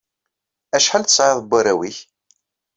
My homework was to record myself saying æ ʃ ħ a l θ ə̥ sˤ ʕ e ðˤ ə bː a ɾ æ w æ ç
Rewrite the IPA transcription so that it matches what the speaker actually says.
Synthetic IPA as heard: æ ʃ ħ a l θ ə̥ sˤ ʕ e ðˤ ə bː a ɾ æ w i ç